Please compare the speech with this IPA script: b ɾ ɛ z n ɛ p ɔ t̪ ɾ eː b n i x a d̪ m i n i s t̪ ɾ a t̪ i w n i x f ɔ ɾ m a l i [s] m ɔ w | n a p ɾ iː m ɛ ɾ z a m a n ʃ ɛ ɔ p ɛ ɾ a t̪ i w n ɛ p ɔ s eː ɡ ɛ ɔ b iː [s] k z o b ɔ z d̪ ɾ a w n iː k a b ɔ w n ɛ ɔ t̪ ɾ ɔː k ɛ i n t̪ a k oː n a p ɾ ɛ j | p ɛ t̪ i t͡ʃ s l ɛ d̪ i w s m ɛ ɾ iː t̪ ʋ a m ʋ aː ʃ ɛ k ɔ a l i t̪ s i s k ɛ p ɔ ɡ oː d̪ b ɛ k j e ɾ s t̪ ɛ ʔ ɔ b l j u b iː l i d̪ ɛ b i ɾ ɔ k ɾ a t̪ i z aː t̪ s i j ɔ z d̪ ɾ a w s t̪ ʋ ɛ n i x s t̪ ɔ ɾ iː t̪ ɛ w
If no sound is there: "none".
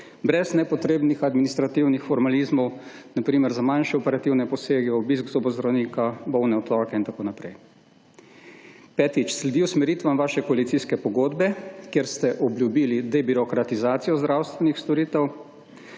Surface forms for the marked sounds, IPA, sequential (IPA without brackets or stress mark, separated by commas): z, s